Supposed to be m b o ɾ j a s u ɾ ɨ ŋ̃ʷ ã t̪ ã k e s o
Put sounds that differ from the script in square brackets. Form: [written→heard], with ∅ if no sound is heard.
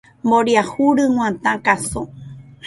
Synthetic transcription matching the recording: m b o ɾ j a [s→h] u ɾ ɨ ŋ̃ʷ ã t̪ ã k [e→a] s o